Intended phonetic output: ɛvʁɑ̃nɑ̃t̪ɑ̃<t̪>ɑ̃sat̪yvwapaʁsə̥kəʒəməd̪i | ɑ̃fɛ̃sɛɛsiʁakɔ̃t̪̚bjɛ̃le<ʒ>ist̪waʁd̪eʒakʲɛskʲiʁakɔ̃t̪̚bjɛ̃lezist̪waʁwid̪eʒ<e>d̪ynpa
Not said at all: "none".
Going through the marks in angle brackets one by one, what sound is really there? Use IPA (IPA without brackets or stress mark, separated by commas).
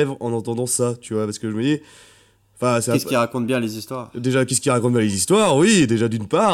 d̪, z, a